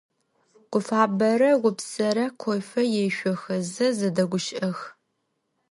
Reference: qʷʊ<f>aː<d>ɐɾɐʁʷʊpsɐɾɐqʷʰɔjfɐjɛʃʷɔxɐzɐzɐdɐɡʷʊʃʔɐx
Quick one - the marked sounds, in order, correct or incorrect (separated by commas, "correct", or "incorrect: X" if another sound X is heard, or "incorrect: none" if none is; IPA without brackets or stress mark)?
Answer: correct, incorrect: b